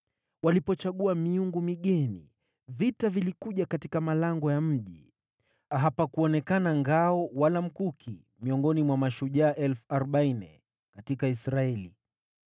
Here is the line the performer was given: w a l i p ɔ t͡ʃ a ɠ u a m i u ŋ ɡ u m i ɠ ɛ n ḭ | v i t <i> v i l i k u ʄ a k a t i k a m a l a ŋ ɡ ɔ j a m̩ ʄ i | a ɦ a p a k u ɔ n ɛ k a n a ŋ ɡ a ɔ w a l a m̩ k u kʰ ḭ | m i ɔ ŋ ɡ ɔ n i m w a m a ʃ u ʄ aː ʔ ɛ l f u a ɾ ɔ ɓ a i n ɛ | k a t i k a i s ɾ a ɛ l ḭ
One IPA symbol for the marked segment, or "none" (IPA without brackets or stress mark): a